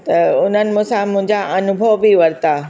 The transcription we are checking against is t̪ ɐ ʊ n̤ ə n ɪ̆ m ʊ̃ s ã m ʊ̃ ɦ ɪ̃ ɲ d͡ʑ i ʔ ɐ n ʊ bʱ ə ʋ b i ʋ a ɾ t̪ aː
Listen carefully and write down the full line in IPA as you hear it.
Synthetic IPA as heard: t̪ ɐ ʊ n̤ ə n ɪ̆ m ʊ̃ s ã m ʊ̃ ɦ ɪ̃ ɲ d͡ʑ a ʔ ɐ n ʊ bʱ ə ʋ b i ʋ ɐ ɾ t̪ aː